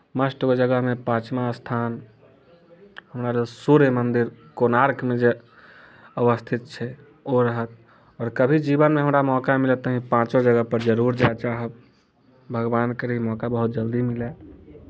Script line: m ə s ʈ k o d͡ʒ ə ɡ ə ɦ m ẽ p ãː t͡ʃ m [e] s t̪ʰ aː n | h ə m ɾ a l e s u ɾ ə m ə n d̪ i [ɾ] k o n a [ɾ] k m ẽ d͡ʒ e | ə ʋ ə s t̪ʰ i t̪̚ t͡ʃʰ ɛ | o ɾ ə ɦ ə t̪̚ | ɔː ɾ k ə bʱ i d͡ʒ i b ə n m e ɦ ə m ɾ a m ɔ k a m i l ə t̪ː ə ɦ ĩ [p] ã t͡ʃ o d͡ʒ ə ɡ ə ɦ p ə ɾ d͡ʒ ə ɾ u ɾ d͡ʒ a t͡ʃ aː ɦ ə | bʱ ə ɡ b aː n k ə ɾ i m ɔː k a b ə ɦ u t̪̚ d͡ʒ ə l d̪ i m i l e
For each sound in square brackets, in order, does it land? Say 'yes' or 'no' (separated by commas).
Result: no, yes, yes, yes